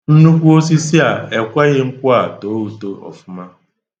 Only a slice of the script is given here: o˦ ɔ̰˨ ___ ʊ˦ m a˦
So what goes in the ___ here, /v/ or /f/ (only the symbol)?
f